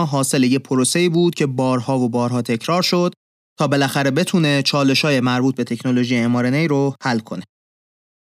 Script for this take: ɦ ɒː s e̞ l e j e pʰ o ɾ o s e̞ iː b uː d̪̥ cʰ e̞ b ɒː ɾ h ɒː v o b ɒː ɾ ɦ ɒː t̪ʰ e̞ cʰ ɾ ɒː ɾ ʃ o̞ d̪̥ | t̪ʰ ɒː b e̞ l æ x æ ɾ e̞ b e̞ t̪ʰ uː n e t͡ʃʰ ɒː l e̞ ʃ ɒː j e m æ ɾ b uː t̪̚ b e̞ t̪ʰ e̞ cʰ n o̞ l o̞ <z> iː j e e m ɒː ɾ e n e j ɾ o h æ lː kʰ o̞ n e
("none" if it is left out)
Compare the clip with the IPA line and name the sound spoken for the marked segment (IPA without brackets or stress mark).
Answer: ʒ